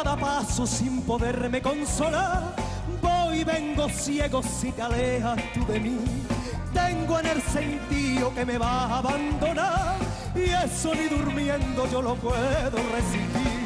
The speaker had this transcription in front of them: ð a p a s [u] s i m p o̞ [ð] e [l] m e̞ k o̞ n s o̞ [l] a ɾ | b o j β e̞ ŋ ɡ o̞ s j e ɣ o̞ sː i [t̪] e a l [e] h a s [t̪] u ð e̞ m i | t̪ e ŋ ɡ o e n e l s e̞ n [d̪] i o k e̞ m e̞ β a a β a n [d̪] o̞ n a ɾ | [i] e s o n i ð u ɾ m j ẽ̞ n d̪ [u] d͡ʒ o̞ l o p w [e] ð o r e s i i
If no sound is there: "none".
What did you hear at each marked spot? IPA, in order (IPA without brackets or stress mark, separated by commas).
o, ð, ɾ, l, t̪, e, t̪, t̪, d̪, i, o, e